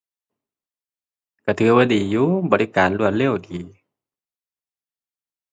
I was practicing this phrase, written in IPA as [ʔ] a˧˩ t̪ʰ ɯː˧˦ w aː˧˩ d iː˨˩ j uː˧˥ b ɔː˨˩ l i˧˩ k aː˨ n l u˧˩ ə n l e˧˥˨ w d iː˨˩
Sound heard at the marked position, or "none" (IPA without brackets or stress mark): k